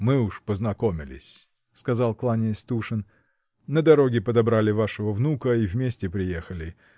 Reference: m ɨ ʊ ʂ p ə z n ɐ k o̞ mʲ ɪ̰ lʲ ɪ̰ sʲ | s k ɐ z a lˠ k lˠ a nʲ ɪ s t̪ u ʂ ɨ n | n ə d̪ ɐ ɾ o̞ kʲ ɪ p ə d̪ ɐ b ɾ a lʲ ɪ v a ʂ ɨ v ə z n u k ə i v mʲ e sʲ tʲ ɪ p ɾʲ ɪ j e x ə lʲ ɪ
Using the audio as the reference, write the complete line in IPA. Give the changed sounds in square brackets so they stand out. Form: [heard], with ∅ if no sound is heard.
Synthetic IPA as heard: m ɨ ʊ ʂ p ə z n ɐ k o̞ mʲ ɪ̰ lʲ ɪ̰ sʲ | s k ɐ z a lˠ k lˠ a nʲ ɪ s t̪ u ʂ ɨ n | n ə d̪ ɐ ɾ o̞ [ɡʲ] ɪ p ə d̪ ɐ b ɾ a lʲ ɪ v a ʂ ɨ v ə [v] n u k ə i v mʲ e sʲ tʲ ɪ p ɾʲ ɪ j e x ə lʲ ɪ